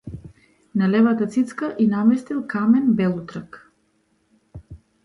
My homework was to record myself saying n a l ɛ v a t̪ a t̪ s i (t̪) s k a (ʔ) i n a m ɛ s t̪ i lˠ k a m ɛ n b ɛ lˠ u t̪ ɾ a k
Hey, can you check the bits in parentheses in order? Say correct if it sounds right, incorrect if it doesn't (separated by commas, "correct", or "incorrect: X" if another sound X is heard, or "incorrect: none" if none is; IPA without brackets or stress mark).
correct, correct